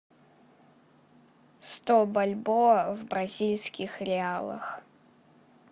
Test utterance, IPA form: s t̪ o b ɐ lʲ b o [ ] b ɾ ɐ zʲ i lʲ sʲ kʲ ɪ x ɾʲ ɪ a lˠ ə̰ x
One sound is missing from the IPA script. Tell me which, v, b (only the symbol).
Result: v